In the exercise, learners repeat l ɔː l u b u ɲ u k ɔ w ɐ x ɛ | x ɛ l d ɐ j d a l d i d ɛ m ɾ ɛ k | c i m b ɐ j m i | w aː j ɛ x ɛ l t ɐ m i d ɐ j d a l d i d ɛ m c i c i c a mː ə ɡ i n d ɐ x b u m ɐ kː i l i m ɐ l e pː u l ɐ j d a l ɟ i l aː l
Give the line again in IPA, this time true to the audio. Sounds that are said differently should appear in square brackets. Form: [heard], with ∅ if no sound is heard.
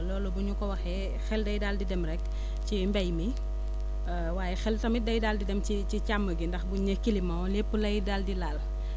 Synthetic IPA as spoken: l ɔː l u b u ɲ u k ɔ w ɐ x ɛ | x ɛ l d ɐ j d a l d i d ɛ m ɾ ɛ k | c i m b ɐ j m i | w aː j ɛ x ɛ l t ɐ m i d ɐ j d a l d i d ɛ m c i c i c a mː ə ɡ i n d ɐ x b u [ɲ] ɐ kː i l i m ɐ l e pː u l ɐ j d a l [d] i l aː l